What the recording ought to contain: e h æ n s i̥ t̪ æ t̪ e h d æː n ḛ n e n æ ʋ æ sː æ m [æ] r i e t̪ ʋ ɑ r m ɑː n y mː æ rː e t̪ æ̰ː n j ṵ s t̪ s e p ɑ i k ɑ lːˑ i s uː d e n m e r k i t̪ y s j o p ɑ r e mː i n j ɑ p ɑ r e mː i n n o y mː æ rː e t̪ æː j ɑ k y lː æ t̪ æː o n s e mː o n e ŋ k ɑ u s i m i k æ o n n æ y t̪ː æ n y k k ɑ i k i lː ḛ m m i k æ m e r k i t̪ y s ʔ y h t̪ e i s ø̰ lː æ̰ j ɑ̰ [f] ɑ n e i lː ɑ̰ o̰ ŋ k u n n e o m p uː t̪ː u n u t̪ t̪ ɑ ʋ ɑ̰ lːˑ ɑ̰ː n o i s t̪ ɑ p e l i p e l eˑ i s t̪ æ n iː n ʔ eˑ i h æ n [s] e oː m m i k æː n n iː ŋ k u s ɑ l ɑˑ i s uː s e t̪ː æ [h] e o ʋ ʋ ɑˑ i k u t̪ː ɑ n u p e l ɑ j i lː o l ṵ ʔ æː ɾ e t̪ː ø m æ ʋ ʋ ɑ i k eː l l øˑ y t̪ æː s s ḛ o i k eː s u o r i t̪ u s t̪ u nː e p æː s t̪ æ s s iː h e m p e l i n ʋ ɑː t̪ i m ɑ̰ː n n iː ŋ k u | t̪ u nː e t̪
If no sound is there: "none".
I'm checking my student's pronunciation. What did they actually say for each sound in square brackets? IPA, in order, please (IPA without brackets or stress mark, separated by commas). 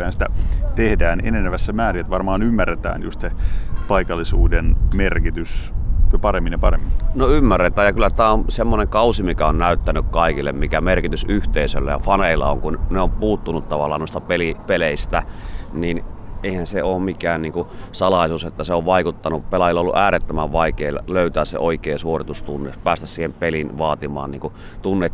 æː, f, s, s